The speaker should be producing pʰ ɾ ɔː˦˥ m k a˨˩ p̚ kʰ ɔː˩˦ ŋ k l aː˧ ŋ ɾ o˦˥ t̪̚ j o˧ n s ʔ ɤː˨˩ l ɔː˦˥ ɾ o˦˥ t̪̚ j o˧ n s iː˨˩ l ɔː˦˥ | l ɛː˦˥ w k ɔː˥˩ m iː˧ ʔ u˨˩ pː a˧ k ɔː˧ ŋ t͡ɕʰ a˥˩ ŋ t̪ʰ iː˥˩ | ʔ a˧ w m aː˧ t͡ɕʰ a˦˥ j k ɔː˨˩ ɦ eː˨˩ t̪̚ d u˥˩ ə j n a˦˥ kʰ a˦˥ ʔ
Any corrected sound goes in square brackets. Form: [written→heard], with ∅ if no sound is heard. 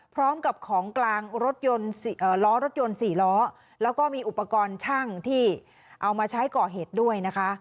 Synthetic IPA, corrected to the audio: pʰ ɾ ɔː˦˥ m k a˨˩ p̚ kʰ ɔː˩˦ ŋ k l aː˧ ŋ ɾ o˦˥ t̪̚ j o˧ n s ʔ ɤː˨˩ l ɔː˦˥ ɾ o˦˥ t̪̚ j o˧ n s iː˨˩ l ɔː˦˥ | l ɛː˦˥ w k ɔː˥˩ m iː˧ ʔ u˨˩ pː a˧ k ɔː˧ [ŋ→n] t͡ɕʰ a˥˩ ŋ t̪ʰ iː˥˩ | ʔ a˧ w m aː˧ t͡ɕʰ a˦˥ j k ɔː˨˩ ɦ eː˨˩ t̪̚ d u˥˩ ə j n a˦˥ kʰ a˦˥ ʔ